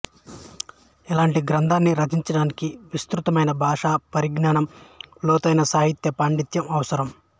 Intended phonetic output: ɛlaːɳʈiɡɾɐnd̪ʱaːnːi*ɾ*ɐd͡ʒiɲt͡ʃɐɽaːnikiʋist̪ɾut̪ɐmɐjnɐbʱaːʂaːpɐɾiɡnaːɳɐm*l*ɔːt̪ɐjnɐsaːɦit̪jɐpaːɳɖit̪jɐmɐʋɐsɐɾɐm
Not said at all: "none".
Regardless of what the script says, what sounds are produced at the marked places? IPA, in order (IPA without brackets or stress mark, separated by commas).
ɾ, l